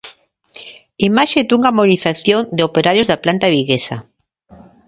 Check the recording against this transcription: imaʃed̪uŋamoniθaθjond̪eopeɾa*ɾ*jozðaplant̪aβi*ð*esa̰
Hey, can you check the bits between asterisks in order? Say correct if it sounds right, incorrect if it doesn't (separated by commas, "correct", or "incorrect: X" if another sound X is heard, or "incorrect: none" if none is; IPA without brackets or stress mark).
correct, incorrect: ɣ